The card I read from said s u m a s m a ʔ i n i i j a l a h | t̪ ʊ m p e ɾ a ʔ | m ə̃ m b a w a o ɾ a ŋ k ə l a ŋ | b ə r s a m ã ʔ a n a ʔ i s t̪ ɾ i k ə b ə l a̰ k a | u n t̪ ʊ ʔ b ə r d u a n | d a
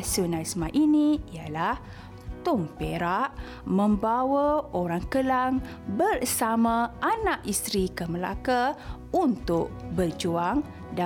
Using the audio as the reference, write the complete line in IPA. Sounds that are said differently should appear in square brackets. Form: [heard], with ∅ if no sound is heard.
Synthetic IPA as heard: s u [n] a s m a ʔ i n i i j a l a h | t̪ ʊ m p e ɾ a ʔ | m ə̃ m b a w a o ɾ a ŋ k ə l a ŋ | b ə r s a m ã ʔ a n a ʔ i s t̪ ɾ i k ə [m] ə l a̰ k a | u n t̪ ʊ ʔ b ə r [d͡ʒ] u a [ŋ] | d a